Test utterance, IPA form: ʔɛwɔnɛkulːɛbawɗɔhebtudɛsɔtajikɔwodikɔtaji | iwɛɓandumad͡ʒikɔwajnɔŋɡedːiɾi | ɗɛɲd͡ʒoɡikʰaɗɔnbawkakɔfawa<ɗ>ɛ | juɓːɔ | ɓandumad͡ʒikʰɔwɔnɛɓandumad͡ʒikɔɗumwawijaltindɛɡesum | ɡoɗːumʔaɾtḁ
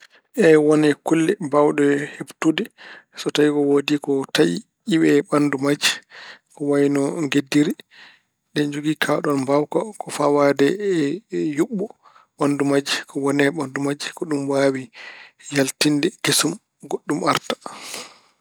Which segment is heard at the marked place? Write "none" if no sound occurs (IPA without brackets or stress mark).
d